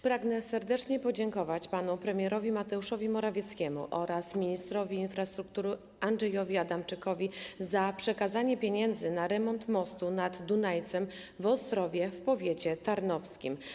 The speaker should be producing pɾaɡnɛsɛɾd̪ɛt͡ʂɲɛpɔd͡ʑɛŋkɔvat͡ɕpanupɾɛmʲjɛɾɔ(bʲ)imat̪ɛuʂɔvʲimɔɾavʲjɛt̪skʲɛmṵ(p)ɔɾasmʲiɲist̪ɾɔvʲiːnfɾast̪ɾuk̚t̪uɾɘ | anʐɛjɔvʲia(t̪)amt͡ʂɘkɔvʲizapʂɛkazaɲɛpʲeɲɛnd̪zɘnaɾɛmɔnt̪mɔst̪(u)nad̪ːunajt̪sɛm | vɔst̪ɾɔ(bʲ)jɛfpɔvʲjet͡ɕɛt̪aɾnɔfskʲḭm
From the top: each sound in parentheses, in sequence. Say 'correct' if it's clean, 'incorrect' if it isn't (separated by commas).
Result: incorrect, incorrect, incorrect, correct, incorrect